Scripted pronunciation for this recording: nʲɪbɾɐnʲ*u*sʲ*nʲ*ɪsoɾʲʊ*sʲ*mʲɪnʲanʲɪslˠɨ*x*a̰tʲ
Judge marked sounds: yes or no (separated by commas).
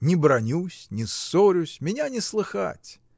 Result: yes, yes, yes, yes